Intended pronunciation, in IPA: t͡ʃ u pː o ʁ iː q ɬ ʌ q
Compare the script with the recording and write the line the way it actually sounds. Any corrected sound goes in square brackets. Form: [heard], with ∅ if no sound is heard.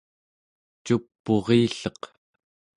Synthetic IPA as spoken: t͡ʃ u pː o ʁ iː [∅] ɬ ʌ q

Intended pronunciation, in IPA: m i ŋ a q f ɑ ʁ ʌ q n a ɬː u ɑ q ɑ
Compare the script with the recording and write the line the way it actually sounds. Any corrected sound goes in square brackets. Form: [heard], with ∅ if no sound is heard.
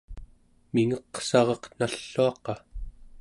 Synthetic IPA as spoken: m i ŋ [ʌ] q [s] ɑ ʁ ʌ q n a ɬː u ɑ q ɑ

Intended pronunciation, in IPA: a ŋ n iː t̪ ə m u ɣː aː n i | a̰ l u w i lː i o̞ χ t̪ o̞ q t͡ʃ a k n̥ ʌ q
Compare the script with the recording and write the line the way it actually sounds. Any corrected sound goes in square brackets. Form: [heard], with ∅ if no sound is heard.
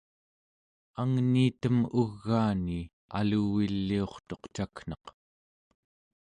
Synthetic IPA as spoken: a ŋ n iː t̪ ə m u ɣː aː n i | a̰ l u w i lː i o̞ χ t̪ o̞ q t͡ʃ a k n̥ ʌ q

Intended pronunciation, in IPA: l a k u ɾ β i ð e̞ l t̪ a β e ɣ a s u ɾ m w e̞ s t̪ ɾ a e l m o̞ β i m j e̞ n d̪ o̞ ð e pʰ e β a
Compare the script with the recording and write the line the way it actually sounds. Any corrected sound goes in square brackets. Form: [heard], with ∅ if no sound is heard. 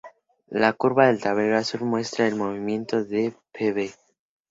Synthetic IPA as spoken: l a k u ɾ β [a] ð e̞ l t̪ a β e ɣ a s u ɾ m w e̞ s t̪ ɾ a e l m o̞ β i m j e̞ n [t̪] o̞ ð e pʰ e β [e]

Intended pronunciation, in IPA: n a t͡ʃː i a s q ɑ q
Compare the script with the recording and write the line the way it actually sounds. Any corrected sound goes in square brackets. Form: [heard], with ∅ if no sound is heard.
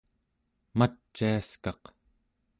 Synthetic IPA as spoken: [m] a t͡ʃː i a s [k] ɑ q

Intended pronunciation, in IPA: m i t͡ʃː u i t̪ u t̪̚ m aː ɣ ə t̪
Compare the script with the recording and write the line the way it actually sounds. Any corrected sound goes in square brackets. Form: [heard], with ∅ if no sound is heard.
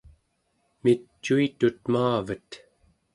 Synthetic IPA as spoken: m i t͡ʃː u i t̪ u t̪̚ m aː [v] ə t̪

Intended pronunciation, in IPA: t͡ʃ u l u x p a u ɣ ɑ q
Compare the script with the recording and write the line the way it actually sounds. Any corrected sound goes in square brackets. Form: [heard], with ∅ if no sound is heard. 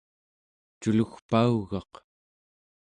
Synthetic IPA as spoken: t͡ʃ u l u x p a u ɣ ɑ q

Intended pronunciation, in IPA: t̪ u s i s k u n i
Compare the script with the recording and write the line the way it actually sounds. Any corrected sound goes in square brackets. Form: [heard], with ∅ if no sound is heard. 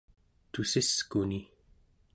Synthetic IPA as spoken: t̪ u s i s k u n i

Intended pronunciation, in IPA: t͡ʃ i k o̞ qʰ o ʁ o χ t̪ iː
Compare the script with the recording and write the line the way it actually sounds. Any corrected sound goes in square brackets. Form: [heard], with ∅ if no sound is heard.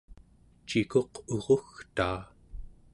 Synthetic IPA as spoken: t͡ʃ i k o̞ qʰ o ʁ o [x] t̪ [aː]

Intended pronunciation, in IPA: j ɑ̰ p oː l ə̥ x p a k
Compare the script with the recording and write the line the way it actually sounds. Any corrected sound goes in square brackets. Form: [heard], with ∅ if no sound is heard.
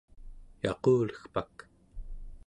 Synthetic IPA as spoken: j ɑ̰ [q] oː l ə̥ x p a k

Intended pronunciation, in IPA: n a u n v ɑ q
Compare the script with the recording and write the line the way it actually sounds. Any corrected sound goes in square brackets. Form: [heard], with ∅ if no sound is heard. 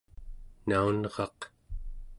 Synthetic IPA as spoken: n a u n [ʁ] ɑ q

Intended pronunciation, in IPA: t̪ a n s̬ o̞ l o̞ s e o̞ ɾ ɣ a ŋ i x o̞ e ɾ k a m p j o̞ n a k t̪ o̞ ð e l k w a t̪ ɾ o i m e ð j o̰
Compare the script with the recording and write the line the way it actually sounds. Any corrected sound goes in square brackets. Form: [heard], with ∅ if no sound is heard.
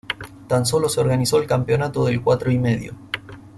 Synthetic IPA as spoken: t̪ a n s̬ o̞ l o̞ s e o̞ ɾ ɣ a [n] i [s] o̞ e [l] k a m p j o̞ n a [∅] t̪ o̞ ð e l k w a t̪ ɾ o i m e ð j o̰

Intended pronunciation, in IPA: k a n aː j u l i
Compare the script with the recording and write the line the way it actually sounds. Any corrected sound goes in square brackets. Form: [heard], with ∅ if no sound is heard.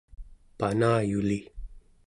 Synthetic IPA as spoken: [p] a n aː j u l i

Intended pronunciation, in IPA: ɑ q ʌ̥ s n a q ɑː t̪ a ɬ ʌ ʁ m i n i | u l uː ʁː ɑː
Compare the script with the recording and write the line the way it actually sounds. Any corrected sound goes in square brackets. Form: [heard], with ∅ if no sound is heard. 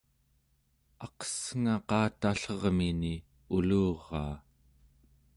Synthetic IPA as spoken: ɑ q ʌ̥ s [ŋ] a q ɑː t̪ a ɬ ʌ ʁ m i n i | u l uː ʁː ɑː

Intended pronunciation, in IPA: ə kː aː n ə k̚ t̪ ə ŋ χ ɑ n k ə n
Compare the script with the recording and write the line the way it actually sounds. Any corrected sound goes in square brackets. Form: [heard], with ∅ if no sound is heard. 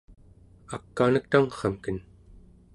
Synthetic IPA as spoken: [a] kː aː n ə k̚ t̪ [a] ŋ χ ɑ [m] k ə n

